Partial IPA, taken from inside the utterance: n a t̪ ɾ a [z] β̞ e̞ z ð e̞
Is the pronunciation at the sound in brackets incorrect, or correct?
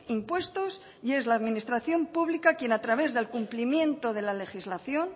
incorrect